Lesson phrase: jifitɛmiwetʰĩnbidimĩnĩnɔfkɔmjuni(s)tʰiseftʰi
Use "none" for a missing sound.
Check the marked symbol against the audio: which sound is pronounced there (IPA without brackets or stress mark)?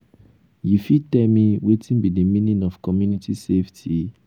none